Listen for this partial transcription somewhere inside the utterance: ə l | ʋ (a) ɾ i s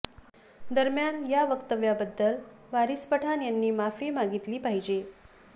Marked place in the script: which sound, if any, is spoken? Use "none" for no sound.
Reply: a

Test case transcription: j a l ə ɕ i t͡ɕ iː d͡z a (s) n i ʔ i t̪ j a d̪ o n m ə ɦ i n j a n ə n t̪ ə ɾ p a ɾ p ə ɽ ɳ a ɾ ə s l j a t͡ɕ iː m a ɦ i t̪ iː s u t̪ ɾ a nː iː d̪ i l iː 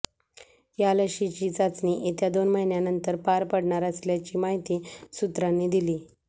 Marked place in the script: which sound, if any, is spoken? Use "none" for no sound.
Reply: t͡s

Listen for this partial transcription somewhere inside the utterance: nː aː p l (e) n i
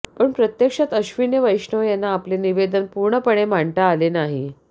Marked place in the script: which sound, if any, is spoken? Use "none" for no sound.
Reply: e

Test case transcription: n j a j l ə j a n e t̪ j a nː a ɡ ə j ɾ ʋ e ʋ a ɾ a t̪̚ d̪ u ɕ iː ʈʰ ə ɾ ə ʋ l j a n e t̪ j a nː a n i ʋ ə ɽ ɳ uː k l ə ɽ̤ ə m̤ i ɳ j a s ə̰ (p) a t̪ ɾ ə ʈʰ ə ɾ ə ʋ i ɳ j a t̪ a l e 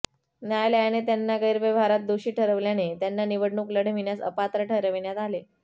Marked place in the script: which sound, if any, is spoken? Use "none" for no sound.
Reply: p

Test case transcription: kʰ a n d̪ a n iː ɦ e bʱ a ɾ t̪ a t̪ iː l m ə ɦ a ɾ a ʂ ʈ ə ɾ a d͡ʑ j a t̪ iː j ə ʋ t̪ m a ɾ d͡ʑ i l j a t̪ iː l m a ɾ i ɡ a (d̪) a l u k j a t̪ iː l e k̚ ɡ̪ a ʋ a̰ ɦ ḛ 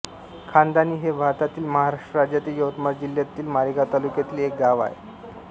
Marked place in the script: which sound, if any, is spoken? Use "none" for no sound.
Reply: t̪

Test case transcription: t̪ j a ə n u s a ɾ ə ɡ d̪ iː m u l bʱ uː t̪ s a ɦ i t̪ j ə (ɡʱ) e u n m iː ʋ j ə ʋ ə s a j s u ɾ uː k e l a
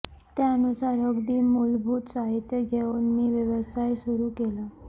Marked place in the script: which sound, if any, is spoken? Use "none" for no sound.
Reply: ɡʱ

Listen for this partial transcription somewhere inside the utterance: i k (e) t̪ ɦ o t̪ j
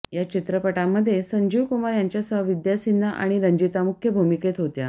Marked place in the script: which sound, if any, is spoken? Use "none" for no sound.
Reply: e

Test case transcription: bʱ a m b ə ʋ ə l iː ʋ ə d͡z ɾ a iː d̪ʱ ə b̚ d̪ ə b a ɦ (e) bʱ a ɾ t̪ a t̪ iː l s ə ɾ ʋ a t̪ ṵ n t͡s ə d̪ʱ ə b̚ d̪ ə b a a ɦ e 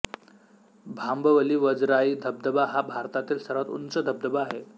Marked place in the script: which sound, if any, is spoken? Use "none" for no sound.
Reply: a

